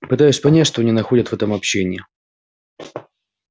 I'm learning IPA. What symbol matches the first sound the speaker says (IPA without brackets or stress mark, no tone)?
p